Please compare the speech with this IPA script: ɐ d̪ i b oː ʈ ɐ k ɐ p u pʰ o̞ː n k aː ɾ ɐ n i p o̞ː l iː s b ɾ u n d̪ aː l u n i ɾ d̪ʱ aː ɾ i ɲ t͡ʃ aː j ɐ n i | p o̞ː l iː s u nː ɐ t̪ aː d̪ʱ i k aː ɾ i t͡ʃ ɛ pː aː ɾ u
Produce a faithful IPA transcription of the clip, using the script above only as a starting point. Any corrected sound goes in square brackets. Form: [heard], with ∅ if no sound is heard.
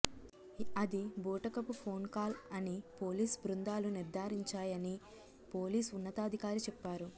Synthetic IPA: ɐ d̪ i b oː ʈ ɐ k ɐ p u pʰ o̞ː n k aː [l] ɐ n i p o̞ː l iː s b ɾ u n d̪ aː l u n i ɾ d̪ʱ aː ɾ i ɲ t͡ʃ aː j ɐ n i | p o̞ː l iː s u nː ɐ t̪ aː d̪ʱ i k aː ɾ i t͡ʃ ɛ pː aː ɾ u

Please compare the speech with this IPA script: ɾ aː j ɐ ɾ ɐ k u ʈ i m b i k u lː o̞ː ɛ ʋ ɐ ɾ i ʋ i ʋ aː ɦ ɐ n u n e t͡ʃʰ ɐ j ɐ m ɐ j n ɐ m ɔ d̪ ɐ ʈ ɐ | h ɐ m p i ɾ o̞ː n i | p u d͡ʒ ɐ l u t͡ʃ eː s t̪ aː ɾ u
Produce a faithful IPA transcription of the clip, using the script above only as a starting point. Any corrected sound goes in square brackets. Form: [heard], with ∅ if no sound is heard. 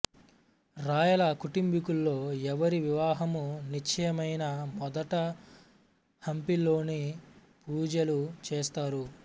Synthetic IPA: ɾ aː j ɐ [l] ɐ k u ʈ i m b i k u lː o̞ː ɛ ʋ ɐ ɾ i ʋ i ʋ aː ɦ ɐ [m] u n [i] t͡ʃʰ ɐ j ɐ m ɐ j n ɐ m ɔ d̪ ɐ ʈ ɐ | h ɐ m p i [l] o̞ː n i | p [uː] d͡ʒ ɐ l u t͡ʃ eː s t̪ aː ɾ u

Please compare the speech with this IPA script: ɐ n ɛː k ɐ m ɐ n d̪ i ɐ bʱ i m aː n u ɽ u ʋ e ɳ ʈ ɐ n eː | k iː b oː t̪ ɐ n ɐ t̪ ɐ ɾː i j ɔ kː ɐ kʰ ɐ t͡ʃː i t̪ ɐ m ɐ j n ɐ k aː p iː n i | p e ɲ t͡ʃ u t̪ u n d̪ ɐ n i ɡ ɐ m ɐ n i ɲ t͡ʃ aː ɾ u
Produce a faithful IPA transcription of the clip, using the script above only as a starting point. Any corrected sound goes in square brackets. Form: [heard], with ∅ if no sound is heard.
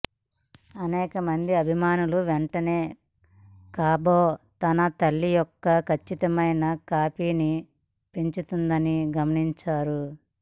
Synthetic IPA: ɐ n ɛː k ɐ m ɐ n d̪ i ɐ bʱ i m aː n u [l] u ʋ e ɳ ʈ ɐ n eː | k [aː] b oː t̪ ɐ n ɐ t̪ ɐ [lː] i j ɔ kː ɐ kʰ ɐ t͡ʃː i t̪ ɐ m ɐ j n ɐ k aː p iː n i | p e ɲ t͡ʃ u t̪ u n d̪ ɐ n i ɡ ɐ m ɐ n i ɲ t͡ʃ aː ɾ u

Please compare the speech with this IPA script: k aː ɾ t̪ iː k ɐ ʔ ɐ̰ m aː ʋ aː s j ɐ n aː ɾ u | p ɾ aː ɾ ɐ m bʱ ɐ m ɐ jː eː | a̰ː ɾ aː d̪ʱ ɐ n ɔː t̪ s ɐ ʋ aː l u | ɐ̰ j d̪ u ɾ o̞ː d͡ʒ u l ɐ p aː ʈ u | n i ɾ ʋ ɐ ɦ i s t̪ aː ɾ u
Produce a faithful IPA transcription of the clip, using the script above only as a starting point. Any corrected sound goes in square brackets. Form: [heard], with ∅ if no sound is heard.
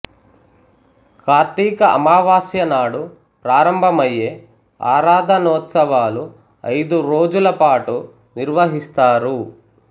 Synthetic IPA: k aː ɾ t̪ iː k ɐ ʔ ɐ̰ m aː ʋ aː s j ɐ n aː [ɽ] u | p ɾ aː ɾ ɐ m bʱ ɐ m ɐ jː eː | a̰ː ɾ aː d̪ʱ ɐ n ɔː t̪ s ɐ ʋ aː l u | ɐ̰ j d̪ u ɾ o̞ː d͡ʒ u l ɐ p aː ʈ u | n i ɾ ʋ ɐ ɦ i s t̪ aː ɾ u

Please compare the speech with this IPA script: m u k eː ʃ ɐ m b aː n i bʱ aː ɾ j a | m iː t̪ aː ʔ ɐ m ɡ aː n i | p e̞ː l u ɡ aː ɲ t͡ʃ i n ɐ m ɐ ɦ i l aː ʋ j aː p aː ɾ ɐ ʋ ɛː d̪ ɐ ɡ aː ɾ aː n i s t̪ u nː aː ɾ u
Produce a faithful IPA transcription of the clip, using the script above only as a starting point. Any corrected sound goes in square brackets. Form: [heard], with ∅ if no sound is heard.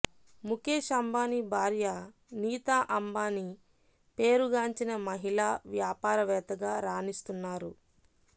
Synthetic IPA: m u k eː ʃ ɐ m b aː n i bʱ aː ɾ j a | [n] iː t̪ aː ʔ ɐ m [b] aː n i | p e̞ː [ɾ] u ɡ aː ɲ t͡ʃ i n ɐ m ɐ ɦ i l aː ʋ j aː p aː ɾ ɐ ʋ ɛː [t̪] ɐ ɡ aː ɾ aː n i s t̪ u nː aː ɾ u

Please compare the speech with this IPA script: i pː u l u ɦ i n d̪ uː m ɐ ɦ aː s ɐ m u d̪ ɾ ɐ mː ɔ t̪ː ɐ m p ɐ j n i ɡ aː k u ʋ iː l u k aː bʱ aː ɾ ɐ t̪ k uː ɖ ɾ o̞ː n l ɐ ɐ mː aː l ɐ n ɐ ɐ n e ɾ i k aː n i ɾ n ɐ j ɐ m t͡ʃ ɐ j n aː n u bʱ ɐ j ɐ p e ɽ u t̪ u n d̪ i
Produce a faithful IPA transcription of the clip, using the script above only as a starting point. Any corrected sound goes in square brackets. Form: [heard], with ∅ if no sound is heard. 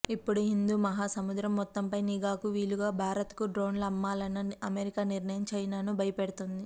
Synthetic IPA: i pː u [ɽ] u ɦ i n d̪ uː m ɐ ɦ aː s ɐ m u d̪ ɾ ɐ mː ɔ t̪ː ɐ m p ɐ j n i ɡ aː k u ʋ iː l u [ɡ] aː bʱ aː ɾ ɐ t̪ k [u] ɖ ɾ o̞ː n l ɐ ɐ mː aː l ɐ n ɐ ɐ [m] e ɾ i k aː n i ɾ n ɐ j ɐ m t͡ʃ ɐ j n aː n u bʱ ɐ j ɐ p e ɽ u t̪ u n d̪ i

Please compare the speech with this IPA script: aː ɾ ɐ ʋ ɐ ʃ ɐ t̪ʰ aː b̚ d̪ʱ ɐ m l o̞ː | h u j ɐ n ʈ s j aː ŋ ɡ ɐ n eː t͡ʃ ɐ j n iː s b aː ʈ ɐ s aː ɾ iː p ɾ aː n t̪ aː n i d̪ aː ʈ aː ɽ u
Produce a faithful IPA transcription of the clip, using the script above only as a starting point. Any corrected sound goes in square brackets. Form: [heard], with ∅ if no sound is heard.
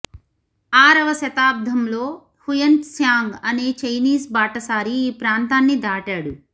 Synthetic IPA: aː ɾ ɐ ʋ ɐ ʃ ɐ [t̪] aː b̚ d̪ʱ ɐ m l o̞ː | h u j ɐ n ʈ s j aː ŋ ɡ ɐ n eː t͡ʃ ɐ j n iː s b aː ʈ ɐ s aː ɾ iː p ɾ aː n t̪ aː [nː] i d̪ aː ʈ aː ɽ u

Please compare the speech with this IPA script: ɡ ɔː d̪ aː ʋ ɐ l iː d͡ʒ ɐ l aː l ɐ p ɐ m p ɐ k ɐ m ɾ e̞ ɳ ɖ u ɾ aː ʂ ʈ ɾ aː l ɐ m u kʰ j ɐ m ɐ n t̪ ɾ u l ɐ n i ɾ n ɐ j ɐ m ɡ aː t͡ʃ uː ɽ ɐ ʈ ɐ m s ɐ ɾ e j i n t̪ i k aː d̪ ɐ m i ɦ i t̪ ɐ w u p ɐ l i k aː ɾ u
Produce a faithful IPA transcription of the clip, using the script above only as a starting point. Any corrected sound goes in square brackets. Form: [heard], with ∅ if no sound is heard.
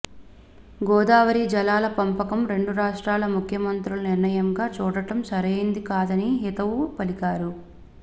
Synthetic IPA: ɡ ɔː d̪ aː ʋ ɐ [ɾ] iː d͡ʒ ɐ l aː l ɐ p ɐ m p ɐ k ɐ m ɾ e̞ ɳ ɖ u ɾ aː ʂ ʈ ɾ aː l ɐ m u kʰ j ɐ m ɐ n t̪ ɾ u l ɐ n i ɾ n ɐ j ɐ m ɡ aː t͡ʃ uː ɽ ɐ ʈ ɐ m s ɐ ɾ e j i n [d̪] i k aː d̪ ɐ [n] i ɦ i t̪ ɐ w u p ɐ l i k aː ɾ u

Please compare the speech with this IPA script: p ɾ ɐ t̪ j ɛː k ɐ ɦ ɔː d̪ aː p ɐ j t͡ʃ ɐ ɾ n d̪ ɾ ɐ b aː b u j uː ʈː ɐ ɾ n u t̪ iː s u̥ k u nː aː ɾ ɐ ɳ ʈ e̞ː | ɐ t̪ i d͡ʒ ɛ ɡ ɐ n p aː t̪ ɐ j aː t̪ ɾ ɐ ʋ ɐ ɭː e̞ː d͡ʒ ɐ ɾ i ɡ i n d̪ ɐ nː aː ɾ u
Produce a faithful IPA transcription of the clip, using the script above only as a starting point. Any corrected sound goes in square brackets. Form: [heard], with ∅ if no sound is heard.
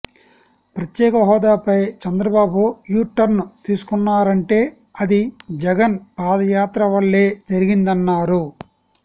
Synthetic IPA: p ɾ ɐ t̪ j ɛː k ɐ ɦ ɔː d̪ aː p ɐ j t͡ʃ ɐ [∅] n d̪ ɾ ɐ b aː b u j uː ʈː ɐ ɾ n u t̪ iː s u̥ k u nː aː ɾ ɐ ɳ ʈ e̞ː | ɐ [d̪] i d͡ʒ ɛ ɡ ɐ n p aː [d̪] ɐ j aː t̪ ɾ ɐ ʋ ɐ ɭː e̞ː d͡ʒ ɐ ɾ i ɡ i n d̪ ɐ nː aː ɾ u

